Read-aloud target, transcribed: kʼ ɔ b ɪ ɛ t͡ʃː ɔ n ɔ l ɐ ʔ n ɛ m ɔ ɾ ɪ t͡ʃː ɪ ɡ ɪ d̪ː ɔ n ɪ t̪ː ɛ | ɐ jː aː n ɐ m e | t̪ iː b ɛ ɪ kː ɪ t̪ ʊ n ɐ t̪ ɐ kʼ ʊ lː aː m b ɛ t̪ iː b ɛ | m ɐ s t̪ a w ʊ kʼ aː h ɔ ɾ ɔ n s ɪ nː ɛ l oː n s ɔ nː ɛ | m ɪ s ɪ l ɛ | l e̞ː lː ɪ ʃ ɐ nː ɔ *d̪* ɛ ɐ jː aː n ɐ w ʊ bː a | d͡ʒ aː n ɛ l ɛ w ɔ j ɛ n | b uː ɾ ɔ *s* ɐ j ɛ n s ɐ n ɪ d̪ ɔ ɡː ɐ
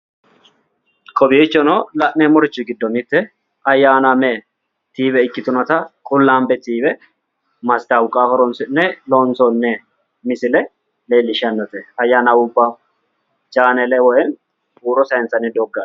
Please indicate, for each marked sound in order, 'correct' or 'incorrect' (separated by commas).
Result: incorrect, correct